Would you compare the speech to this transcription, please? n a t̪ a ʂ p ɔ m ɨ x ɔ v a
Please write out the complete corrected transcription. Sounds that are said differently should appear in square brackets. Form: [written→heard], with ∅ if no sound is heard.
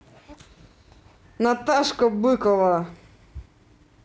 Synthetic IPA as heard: n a t̪ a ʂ [p→k] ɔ [m→b] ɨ [x→k] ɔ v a